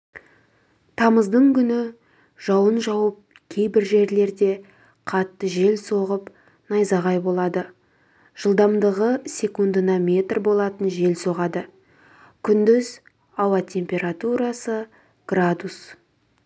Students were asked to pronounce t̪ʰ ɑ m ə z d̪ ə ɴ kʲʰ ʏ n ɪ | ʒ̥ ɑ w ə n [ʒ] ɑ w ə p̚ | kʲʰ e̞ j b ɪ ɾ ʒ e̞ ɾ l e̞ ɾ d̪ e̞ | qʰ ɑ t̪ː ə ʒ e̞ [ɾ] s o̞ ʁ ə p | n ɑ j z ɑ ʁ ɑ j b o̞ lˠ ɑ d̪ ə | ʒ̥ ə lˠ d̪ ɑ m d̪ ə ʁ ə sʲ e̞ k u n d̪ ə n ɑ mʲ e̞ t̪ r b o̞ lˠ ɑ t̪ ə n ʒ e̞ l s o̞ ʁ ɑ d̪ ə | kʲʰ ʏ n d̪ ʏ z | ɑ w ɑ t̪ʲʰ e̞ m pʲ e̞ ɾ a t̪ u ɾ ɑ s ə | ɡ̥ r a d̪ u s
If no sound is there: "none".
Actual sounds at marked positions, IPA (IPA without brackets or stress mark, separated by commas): ʒ, l